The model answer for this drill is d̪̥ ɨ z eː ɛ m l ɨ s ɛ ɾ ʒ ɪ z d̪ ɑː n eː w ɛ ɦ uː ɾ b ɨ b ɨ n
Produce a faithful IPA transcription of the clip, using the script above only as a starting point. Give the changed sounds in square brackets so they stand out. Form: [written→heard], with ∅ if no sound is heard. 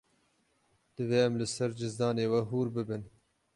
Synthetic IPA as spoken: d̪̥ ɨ [z→v] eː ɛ m l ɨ s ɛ ɾ [ʒ→d͡ʒ] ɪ z d̪ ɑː n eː w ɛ ɦ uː ɾ b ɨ b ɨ n